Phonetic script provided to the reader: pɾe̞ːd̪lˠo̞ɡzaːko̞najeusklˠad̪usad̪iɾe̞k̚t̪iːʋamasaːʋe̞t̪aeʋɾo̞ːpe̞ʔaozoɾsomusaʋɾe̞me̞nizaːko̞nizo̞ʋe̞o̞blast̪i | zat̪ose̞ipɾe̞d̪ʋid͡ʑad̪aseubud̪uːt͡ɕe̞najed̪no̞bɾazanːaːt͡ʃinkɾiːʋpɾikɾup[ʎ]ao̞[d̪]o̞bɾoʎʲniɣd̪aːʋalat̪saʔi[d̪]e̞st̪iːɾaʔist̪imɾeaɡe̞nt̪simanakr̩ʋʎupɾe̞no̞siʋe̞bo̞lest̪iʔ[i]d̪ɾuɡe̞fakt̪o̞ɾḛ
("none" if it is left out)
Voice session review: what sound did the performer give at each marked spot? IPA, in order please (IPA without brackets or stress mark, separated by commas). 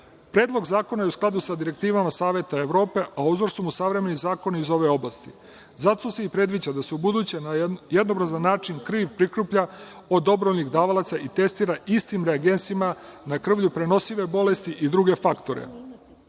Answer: ʎ, d̪, t̪, i